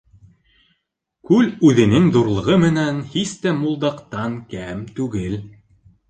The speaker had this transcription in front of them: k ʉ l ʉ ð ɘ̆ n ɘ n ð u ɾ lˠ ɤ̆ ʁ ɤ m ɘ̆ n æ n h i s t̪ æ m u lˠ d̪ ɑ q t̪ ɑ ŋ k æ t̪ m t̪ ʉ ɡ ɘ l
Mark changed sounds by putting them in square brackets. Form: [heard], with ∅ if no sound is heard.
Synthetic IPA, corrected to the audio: k ʉ l ʉ ð ɘ̆ n ɘ [ŋ] ð u ɾ lˠ ɤ̆ ʁ ɤ m ɘ̆ n æ n h i s t̪ æ m u lˠ d̪ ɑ q t̪ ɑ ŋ k æ [∅] m t̪ ʉ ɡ ɘ l